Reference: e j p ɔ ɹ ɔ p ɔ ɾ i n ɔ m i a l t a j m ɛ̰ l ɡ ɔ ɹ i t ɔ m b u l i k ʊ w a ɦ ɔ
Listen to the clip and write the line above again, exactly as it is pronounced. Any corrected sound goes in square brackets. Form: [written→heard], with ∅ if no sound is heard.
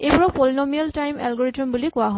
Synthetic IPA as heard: e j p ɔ ɹ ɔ p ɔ [ɾ→l] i n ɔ m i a l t a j m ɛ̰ l ɡ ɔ ɹ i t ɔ m b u l i k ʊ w a ɦ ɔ